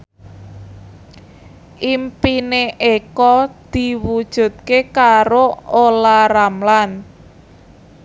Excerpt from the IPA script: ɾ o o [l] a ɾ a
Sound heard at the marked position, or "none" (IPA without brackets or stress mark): l